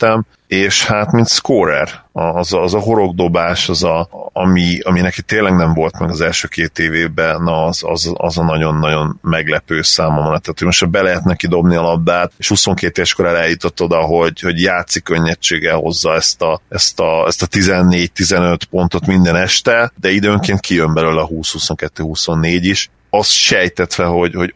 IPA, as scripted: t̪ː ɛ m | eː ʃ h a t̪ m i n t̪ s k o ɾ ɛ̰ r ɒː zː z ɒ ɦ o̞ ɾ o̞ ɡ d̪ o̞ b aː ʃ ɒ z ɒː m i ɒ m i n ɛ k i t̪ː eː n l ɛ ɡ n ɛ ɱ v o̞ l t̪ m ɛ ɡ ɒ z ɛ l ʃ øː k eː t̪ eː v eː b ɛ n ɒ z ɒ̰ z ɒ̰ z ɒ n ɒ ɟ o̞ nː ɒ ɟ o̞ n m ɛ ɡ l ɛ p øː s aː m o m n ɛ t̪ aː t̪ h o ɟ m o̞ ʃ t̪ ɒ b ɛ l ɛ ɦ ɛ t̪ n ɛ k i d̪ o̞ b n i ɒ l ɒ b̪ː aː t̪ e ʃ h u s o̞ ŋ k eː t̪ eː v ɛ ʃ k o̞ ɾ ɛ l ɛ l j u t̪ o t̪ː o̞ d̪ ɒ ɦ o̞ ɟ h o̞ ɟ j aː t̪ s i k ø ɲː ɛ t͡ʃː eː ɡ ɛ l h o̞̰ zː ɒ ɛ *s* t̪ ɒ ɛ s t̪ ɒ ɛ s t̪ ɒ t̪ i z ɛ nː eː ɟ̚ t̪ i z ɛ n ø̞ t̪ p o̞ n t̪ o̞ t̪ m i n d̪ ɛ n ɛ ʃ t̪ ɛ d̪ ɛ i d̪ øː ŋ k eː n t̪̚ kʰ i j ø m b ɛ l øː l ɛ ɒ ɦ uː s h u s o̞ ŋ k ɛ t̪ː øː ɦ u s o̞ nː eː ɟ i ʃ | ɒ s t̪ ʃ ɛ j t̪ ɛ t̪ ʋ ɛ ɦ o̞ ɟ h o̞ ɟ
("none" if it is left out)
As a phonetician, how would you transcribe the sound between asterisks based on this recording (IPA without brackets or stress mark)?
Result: s